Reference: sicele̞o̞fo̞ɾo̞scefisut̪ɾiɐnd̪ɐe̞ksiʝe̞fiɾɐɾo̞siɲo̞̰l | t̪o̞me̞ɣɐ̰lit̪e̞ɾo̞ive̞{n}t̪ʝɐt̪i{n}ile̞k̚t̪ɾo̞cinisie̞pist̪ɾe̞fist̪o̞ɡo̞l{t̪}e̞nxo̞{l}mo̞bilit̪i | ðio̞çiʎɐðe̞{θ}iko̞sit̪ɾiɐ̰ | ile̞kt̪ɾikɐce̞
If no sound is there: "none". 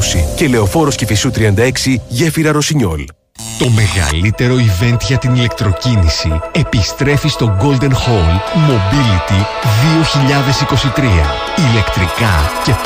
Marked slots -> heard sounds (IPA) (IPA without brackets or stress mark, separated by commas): n, n, d̪, l, s